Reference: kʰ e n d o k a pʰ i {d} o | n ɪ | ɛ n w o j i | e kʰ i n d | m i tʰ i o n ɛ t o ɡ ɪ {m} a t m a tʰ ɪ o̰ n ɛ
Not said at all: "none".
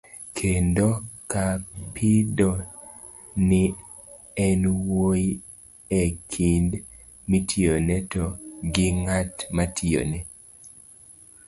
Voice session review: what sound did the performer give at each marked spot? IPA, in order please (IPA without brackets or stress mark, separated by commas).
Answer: d, ŋ